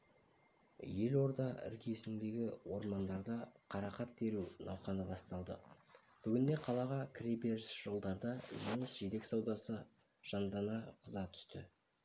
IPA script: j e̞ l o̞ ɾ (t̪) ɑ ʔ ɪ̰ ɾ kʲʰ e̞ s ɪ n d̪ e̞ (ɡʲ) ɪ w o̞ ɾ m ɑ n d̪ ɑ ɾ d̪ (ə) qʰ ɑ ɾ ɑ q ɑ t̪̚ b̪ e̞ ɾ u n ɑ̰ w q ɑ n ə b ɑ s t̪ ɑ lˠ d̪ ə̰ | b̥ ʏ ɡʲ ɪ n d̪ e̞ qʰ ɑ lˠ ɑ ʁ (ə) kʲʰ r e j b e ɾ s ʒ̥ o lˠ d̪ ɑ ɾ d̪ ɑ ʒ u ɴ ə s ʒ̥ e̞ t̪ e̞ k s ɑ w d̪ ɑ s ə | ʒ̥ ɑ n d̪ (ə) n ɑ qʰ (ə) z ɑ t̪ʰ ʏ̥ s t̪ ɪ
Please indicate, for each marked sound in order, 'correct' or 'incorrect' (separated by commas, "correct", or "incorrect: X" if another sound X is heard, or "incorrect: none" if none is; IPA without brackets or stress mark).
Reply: incorrect: d̪, correct, incorrect: ɑ, incorrect: ɑ, incorrect: ɑ, correct